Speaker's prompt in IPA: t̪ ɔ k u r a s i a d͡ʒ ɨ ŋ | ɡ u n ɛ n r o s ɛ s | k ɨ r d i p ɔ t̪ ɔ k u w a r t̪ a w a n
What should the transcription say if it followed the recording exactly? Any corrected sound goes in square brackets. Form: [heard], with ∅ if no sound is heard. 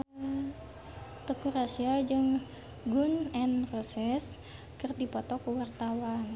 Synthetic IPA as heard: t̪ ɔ k u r a s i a d͡ʒ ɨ ŋ | ɡ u n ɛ n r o s ɛ s | k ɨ r d i p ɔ t̪ ɔ k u w a r t̪ a w a n